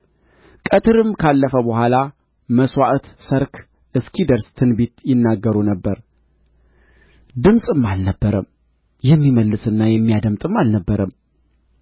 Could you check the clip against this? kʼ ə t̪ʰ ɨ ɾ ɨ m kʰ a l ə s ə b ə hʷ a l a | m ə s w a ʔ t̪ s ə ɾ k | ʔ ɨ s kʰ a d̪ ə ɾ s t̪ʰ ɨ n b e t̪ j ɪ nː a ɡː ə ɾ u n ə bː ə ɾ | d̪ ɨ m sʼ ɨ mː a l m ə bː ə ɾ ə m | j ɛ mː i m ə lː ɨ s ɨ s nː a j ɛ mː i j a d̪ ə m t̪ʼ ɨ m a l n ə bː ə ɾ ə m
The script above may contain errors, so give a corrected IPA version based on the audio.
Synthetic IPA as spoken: kʼ ə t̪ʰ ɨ ɾ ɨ m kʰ a lː ə f ə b ə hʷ a l a | m ə s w a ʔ t̪ s ə ɾ k | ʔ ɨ s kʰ i d̪ ə ɾ s t̪ʰ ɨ n b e t̪ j ɪ nː a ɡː ə ɾ u n ə bː ə ɾ | d̪ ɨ m sʼ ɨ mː a l n ə bː ə ɾ ə m | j ɛ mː i m ə lː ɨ s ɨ nː a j ɛ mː i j a d̪ ə m t̪ʼ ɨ m a l n ə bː ə ɾ ə m